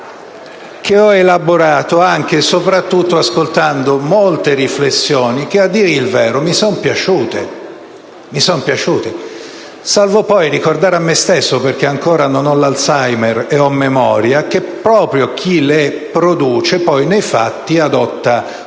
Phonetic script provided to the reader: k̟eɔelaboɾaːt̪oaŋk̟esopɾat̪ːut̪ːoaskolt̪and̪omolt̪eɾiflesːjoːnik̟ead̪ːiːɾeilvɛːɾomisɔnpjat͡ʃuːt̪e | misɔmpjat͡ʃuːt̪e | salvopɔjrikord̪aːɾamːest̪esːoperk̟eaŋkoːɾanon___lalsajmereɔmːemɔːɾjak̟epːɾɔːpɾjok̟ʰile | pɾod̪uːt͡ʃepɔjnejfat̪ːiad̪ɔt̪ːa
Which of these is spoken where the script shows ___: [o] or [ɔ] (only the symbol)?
ɔ